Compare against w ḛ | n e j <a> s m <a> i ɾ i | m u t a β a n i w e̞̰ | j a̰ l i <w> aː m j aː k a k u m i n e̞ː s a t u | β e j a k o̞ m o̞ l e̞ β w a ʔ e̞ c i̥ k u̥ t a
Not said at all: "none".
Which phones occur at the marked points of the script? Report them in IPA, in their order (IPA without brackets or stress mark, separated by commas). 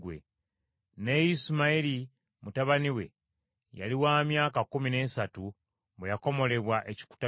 i, a, w